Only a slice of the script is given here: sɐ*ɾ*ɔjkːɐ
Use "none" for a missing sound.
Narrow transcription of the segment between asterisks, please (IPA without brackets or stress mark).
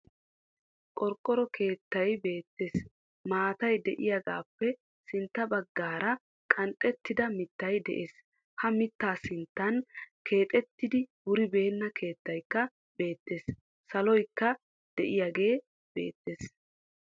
l